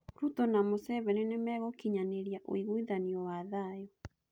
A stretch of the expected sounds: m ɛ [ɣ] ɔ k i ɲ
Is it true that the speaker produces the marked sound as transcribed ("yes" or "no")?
yes